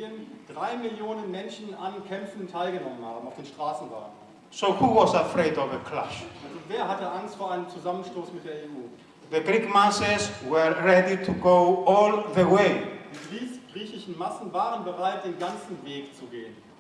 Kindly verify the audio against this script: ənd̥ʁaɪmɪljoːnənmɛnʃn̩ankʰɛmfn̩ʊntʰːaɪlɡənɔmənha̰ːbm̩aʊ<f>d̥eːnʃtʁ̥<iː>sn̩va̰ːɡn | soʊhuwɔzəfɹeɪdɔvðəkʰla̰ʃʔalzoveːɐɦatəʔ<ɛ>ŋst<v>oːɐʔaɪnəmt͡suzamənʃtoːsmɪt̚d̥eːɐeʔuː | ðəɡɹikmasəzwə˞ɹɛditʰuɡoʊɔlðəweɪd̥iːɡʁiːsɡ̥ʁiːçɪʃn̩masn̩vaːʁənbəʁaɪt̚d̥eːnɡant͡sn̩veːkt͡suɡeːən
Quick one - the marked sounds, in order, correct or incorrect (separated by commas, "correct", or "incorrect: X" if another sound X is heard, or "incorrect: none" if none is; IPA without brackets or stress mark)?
correct, incorrect: aː, incorrect: a, incorrect: f